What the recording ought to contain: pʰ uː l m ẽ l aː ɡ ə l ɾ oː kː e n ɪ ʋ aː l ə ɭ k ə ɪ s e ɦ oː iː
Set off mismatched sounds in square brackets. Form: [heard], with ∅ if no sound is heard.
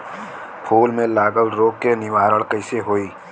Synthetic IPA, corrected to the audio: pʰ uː l m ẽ l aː ɡ ə l ɾ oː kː e n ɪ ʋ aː [ɾ] ə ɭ k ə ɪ s e ɦ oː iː